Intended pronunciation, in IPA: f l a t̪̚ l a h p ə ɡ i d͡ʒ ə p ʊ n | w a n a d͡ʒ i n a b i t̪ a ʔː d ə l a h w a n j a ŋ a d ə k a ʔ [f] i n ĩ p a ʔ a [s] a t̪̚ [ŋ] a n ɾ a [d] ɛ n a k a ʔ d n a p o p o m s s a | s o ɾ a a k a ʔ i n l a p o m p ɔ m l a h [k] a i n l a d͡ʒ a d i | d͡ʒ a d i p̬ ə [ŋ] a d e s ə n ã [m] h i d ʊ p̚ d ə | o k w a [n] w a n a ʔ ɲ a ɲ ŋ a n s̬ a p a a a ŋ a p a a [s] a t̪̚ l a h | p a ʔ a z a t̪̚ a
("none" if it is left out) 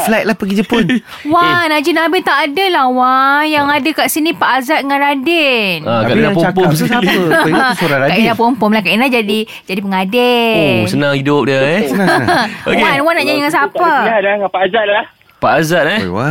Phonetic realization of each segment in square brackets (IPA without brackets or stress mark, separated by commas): s, z, ŋ, d, k, ŋ, ŋ, n, z